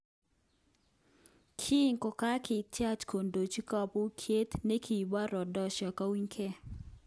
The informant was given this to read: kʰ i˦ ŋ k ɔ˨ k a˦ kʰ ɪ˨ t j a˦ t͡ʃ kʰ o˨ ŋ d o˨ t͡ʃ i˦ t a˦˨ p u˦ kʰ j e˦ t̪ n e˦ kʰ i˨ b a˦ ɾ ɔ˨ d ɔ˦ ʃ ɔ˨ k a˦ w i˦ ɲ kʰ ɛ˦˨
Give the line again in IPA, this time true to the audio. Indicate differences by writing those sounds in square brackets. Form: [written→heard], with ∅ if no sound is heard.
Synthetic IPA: kʰ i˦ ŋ k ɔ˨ k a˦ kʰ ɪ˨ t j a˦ t͡ʃ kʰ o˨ [ŋ→n] d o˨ t͡ʃ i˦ [t→k] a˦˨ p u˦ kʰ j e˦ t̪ n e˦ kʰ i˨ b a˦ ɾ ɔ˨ d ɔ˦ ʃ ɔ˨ k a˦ w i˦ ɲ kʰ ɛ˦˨

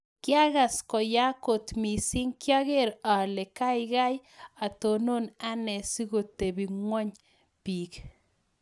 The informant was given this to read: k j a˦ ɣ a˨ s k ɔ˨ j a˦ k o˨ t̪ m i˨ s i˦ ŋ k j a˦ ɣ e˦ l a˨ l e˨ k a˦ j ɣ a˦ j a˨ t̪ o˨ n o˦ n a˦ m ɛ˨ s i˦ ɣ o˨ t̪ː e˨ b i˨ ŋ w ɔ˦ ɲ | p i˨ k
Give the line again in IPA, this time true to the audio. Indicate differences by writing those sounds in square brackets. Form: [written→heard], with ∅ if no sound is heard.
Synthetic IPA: k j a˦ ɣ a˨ s k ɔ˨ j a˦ k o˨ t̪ m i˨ s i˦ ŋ k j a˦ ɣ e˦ [l→ɾ] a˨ l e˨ k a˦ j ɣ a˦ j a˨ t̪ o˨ n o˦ n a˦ [m→n] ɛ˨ s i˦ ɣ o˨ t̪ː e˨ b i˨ ŋ w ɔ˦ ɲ | p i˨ k

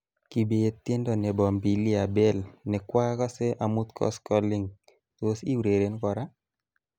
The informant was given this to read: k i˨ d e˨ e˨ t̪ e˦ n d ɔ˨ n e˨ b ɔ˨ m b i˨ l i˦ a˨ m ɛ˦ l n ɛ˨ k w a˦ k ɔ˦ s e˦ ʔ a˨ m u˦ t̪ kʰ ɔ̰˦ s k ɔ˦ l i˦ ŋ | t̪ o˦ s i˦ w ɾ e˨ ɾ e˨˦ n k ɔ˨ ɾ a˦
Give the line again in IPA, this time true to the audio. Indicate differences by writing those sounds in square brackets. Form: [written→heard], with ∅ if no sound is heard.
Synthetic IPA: k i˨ [d→b] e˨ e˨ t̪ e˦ n d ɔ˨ n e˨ b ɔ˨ m b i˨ l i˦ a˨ [m→b] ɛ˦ l n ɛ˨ k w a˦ k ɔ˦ s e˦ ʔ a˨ m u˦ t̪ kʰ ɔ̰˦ s k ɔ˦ l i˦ ŋ | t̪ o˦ s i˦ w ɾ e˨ ɾ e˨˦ n k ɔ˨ ɾ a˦

